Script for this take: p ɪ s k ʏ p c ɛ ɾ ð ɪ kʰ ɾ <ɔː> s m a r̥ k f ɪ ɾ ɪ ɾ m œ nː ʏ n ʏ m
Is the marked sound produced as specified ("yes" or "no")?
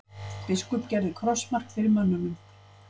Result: no